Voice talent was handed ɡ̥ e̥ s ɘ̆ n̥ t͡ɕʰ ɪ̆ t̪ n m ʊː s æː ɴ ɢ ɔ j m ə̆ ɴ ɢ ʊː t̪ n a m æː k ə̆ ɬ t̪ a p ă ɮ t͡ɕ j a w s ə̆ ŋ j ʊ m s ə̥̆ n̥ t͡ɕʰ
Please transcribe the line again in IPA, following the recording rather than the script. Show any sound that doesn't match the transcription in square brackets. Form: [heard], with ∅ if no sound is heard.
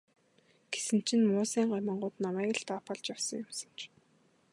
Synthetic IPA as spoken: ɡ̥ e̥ s ɘ̆ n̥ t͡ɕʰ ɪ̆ [∅] n m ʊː s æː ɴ ɢ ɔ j m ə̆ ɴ ɢ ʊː t̪ n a m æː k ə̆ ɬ t̪ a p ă ɮ t͡ɕ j a w s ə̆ ŋ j ʊ m s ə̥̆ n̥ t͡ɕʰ

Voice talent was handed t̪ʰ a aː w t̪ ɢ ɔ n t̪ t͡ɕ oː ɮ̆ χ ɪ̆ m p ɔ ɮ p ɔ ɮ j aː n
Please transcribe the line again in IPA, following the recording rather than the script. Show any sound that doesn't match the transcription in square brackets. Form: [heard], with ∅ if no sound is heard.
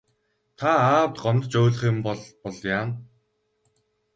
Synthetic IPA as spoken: t̪ʰ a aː w t̪ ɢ ɔ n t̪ t͡ɕ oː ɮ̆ χ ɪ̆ m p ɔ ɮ p ɔ ɮ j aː n

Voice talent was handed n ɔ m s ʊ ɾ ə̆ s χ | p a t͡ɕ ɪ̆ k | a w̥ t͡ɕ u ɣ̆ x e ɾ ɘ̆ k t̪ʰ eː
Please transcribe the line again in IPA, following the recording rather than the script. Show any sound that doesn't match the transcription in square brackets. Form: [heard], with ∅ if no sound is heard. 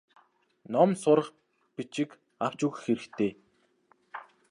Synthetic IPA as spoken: n ɔ m s ʊ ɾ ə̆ [∅] χ | p [i] t͡ɕ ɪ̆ k | a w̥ t͡ɕ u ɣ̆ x e ɾ ɘ̆ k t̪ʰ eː

